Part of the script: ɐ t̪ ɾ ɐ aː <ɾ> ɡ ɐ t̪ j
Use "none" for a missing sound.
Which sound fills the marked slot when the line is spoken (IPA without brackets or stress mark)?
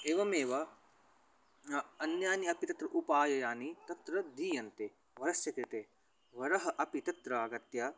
none